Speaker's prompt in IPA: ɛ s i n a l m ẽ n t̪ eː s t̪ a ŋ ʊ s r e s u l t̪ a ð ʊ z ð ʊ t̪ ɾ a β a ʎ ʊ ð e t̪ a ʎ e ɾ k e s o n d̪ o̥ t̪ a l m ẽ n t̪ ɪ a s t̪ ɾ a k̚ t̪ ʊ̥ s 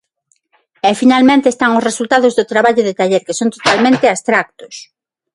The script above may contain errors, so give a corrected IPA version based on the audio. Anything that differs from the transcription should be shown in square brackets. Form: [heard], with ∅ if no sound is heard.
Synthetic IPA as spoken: ɛ [f] i n a l m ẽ n t̪ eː s t̪ a ŋ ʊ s r e s u l t̪ a ð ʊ z ð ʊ t̪ ɾ a β a ʎ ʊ ð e t̪ a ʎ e ɾ k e s o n [t̪] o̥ t̪ a l m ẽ n t̪ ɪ a s t̪ ɾ a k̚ t̪ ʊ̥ s